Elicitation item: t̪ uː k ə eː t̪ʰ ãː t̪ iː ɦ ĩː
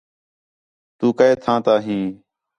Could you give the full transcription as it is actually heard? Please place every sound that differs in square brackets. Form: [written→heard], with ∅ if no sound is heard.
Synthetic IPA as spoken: t̪ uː k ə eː t̪ʰ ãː t̪ [iː→aː] ɦ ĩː